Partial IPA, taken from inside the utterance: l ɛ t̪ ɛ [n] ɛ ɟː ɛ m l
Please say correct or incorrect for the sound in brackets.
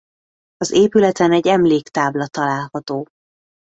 correct